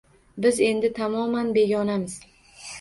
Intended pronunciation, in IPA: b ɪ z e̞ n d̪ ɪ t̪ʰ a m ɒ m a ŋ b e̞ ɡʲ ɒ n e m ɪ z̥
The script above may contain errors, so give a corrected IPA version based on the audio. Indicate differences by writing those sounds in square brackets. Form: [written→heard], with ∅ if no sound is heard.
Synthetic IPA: b ɪ z e̞ n d̪ ɪ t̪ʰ a m ɒ m a [ŋ→n] b e̞ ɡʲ ɒ n [e→a] m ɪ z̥